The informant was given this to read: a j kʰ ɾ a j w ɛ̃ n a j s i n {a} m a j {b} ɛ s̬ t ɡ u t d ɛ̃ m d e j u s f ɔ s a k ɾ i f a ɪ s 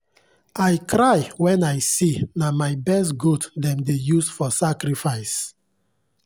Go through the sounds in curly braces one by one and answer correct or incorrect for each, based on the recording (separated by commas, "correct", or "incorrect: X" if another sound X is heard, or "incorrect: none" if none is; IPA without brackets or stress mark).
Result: correct, correct